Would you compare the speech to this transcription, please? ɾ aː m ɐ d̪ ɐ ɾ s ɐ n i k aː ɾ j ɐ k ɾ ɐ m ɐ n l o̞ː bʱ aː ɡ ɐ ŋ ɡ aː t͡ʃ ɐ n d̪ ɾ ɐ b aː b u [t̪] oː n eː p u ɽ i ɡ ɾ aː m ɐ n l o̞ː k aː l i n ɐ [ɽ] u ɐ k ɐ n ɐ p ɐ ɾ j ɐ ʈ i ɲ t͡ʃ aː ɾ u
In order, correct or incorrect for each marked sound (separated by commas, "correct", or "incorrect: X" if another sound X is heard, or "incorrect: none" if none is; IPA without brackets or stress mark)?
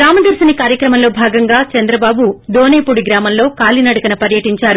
incorrect: d̪, correct